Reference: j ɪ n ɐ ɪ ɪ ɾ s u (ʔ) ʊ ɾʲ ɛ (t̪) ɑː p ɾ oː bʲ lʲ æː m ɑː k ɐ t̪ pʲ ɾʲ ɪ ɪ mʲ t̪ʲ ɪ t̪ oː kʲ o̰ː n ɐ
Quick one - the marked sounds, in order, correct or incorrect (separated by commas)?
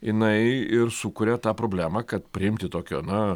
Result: incorrect, correct